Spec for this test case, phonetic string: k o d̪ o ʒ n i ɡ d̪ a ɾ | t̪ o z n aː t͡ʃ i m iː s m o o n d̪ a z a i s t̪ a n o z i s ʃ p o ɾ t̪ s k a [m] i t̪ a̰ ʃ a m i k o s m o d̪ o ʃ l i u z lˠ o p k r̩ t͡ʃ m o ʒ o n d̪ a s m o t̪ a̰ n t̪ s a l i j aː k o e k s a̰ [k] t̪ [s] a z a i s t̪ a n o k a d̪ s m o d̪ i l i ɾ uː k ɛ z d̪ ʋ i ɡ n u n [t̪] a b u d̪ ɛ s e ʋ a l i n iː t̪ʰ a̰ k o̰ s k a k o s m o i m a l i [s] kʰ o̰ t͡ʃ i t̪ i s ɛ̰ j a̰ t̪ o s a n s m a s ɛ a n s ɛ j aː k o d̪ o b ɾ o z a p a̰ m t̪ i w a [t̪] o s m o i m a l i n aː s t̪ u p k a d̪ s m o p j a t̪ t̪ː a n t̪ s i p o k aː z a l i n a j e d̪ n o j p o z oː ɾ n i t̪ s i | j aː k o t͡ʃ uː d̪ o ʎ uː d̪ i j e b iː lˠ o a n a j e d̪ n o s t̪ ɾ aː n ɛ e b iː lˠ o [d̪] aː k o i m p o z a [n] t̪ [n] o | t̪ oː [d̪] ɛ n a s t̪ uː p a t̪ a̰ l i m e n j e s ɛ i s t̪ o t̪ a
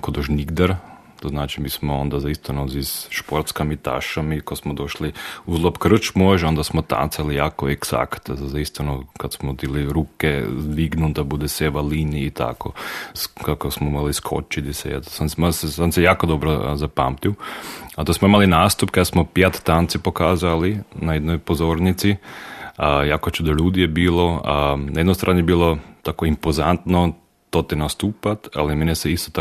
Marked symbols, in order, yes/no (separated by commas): yes, yes, no, no, yes, yes, no, yes, yes, no